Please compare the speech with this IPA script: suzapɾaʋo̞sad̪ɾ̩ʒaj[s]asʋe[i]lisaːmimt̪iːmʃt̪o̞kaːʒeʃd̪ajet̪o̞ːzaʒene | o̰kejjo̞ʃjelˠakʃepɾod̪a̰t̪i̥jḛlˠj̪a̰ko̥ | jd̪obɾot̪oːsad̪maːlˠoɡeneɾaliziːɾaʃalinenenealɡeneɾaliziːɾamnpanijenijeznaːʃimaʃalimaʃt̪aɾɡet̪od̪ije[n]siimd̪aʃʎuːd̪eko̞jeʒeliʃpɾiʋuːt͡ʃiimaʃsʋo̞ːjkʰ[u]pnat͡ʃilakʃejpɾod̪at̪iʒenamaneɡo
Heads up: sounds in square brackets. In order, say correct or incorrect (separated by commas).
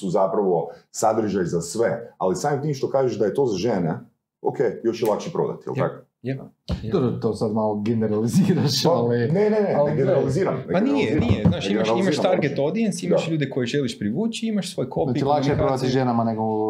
incorrect, incorrect, correct, incorrect